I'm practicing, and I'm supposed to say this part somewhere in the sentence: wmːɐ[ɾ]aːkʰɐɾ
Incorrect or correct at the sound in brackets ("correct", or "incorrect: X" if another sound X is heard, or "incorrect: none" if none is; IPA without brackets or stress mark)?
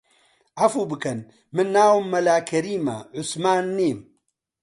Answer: incorrect: l